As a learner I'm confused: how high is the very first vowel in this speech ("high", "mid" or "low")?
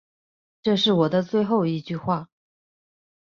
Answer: mid